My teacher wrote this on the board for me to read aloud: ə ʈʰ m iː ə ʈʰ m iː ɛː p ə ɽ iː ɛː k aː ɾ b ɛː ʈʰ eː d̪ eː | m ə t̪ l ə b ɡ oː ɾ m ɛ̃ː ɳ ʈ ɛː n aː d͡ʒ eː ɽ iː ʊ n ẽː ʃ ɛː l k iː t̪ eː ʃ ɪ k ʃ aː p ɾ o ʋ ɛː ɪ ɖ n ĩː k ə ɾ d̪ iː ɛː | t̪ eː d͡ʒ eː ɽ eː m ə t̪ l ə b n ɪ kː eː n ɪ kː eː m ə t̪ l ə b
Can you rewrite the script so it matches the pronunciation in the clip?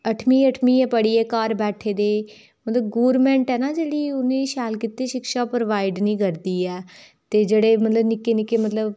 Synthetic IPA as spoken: ə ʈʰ m iː ə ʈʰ m iː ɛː p ə ɽ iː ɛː k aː ɾ b ɛː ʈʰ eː d̪ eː | m ə t̪ l ə b ɡ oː ɾ m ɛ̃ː ɳ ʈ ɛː n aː d͡ʒ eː ɽ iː ʊ n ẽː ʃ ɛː l k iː t̪ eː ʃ ɪ k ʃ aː p ɾ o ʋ aː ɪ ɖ n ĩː k ə ɾ d̪ iː ɛː | t̪ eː d͡ʒ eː ɽ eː m ə t̪ l ə b n ɪ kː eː n ɪ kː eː m ə t̪ l ə b